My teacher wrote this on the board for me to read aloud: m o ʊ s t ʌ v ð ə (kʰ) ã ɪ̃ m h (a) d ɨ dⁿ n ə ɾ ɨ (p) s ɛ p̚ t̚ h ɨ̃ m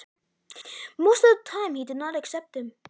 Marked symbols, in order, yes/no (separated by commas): no, no, no